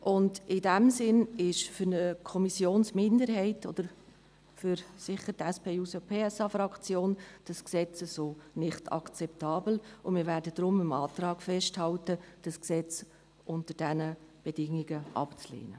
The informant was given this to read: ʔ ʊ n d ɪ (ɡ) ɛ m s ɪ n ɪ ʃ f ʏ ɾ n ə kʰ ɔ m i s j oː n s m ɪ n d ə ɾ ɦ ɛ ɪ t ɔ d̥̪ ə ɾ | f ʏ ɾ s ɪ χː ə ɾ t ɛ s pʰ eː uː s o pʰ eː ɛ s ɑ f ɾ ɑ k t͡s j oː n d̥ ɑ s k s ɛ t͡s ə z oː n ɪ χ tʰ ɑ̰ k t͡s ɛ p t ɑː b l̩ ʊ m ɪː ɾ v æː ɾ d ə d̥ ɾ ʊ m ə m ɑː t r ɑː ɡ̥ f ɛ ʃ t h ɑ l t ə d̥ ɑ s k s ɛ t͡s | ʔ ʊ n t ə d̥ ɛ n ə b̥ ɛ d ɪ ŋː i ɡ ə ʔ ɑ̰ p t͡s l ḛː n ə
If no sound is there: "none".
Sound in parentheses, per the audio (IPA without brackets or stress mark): d